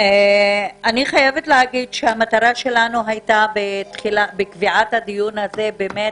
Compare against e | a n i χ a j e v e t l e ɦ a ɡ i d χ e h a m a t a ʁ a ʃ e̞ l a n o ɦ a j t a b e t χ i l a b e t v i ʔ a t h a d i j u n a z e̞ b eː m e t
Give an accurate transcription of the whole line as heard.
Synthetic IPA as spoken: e | a n i χ a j e v e t l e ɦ a ɡ i d ʃ e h a m a t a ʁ a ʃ e̞ l a n u ɦ a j t a b e t χ i l a b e k v i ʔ a t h a d i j u n a z e̞ b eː m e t